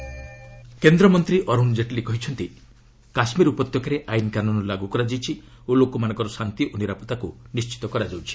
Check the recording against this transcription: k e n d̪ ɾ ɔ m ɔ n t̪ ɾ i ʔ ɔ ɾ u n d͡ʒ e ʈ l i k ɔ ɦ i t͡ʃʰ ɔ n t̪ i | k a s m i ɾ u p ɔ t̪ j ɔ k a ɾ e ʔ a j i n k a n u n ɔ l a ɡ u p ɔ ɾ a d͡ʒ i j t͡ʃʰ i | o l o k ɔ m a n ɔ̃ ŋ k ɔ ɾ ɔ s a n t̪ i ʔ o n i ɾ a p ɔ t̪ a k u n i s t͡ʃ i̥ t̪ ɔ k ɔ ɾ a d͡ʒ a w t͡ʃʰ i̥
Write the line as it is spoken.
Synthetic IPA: k e n d̪ ɾ ɔ m ɔ n t̪ ɾ i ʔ ɔ ɾ u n d͡ʒ e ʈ l i k ɔ ɦ i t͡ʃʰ ɔ n t̪ i | k a s m i ɾ u p ɔ t̪ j ɔ k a ɾ e ʔ a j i n k a n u n ɔ l a ɡ u k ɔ ɾ a d͡ʒ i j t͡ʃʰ i | o l o k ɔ m a n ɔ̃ ŋ k ɔ ɾ ɔ s a n t̪ i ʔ o n i ɾ a p ɔ t̪ a k u n i s t͡ʃ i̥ t̪ ɔ k ɔ ɾ a d͡ʒ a w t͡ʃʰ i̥